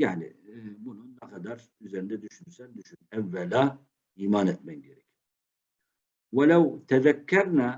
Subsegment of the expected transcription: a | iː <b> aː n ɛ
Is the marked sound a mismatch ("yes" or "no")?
yes